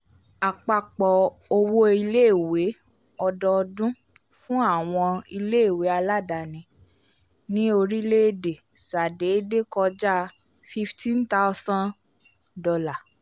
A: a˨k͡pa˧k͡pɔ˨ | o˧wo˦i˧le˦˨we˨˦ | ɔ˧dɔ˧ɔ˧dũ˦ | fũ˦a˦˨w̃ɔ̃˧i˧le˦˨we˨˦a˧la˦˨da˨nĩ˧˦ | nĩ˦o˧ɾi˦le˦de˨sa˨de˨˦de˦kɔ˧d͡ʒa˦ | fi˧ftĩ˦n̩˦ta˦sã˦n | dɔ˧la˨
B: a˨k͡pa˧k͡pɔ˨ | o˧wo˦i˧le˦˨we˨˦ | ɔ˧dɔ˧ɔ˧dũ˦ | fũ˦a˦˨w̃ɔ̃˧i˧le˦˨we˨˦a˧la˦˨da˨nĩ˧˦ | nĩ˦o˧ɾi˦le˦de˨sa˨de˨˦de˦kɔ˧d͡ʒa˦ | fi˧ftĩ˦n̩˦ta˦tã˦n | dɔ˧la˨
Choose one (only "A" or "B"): A